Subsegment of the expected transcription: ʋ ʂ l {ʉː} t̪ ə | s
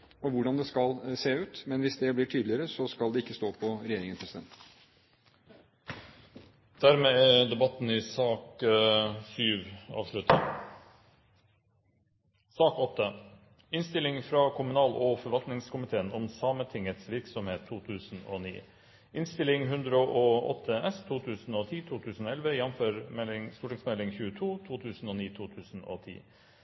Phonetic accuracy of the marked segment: incorrect: ʉ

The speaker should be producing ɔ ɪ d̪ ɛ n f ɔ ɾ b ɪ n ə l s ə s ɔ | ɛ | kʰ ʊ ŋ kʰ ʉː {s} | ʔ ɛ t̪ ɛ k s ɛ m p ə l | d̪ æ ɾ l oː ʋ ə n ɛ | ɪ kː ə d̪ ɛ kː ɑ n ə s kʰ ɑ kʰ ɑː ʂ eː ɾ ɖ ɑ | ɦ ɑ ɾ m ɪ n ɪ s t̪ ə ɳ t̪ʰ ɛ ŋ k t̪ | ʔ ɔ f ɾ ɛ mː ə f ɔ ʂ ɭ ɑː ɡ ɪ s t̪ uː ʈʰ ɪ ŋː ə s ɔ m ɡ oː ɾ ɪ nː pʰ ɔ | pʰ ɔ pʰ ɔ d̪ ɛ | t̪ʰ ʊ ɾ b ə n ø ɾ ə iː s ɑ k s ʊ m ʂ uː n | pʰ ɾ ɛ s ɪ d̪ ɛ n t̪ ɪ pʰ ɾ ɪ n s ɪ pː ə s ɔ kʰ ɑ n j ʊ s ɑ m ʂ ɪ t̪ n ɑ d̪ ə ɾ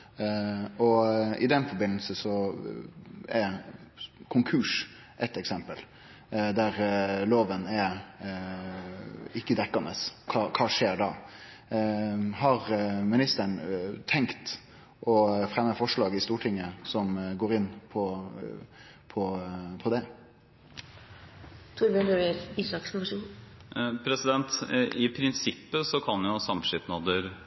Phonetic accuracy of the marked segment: incorrect: ʂ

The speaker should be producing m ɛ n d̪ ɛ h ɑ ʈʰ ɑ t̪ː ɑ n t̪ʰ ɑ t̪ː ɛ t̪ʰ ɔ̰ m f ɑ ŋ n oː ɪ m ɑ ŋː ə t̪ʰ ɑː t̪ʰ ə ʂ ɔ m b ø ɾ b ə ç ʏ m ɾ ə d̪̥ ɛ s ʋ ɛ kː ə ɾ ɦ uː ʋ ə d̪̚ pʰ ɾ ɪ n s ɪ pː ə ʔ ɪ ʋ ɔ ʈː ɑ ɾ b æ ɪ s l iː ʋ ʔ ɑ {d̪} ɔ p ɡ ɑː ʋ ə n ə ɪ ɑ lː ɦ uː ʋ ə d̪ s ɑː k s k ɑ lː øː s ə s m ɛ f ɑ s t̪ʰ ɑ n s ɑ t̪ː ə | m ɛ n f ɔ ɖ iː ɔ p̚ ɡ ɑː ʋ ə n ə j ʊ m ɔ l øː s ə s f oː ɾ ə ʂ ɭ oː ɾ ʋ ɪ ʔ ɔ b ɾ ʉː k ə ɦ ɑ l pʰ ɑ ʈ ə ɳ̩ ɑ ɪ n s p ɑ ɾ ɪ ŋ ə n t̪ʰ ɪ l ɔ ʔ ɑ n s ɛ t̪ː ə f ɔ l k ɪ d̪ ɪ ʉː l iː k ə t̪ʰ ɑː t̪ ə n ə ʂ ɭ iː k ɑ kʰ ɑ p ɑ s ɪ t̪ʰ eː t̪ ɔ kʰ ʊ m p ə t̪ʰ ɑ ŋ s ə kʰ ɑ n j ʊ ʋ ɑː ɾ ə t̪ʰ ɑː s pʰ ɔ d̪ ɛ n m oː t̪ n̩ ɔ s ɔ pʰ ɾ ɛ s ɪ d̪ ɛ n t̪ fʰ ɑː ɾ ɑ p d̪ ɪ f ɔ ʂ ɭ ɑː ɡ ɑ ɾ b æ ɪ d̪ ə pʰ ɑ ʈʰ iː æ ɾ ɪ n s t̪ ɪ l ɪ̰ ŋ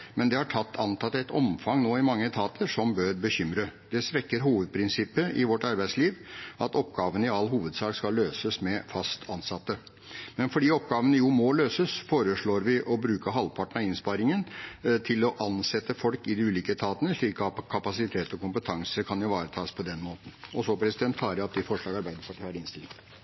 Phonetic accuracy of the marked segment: incorrect: t̪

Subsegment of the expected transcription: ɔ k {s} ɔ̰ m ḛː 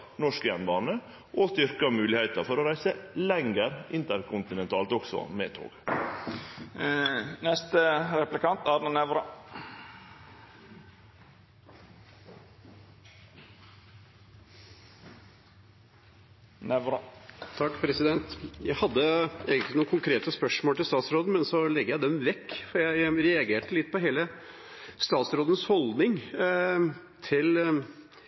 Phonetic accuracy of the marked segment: correct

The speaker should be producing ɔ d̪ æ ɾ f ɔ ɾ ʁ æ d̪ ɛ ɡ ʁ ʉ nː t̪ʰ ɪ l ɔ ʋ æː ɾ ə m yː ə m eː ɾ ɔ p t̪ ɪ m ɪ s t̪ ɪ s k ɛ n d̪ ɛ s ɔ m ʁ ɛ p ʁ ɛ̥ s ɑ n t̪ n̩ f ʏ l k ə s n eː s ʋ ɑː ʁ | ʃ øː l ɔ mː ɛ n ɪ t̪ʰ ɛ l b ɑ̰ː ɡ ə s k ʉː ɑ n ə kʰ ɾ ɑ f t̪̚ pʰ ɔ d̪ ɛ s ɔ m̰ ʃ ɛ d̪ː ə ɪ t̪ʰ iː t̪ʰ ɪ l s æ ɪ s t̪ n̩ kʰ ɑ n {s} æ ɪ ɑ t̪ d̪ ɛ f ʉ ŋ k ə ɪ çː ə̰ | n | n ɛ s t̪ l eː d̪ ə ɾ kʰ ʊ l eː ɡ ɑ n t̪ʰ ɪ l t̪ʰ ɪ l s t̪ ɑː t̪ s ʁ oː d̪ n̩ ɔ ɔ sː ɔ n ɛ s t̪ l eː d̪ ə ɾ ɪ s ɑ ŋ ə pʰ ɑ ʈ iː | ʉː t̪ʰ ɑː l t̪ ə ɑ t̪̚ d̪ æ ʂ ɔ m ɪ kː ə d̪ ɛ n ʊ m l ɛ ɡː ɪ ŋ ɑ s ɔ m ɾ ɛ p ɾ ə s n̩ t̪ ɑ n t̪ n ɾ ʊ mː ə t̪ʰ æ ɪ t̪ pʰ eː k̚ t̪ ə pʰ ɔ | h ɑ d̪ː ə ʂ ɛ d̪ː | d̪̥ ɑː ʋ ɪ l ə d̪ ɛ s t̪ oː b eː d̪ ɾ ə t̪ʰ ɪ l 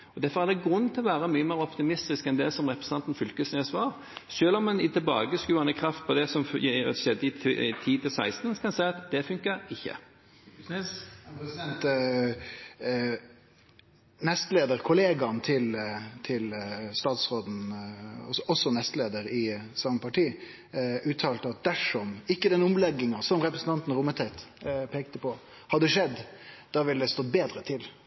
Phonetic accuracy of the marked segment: correct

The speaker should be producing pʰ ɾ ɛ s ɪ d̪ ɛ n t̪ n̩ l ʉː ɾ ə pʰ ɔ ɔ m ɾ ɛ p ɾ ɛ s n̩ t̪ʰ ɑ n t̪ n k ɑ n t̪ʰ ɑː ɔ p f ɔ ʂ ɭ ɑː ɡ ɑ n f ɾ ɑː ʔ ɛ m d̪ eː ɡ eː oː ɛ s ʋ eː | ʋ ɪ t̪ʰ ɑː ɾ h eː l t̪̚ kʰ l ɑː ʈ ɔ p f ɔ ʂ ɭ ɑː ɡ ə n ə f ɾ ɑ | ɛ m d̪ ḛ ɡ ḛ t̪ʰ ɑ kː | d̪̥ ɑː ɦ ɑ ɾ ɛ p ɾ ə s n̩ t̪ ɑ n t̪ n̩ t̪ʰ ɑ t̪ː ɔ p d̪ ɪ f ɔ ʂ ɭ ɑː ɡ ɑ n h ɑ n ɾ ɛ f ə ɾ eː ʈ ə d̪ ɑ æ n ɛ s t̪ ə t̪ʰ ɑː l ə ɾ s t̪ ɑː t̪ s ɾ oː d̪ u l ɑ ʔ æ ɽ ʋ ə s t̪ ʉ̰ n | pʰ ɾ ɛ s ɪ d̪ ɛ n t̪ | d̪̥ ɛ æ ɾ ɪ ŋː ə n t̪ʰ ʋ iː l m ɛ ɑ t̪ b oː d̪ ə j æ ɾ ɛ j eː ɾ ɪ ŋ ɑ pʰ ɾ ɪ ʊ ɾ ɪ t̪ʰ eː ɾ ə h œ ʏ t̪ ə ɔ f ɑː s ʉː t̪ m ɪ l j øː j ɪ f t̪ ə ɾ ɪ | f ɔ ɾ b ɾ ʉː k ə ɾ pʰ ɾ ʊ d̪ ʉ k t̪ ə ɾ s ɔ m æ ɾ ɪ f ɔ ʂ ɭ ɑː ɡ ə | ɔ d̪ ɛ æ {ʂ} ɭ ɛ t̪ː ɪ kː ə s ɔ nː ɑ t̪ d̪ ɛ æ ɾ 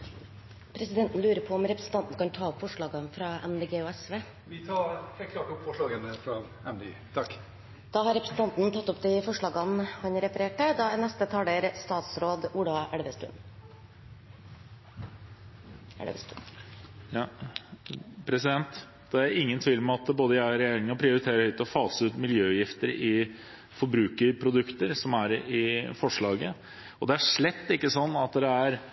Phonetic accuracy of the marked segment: correct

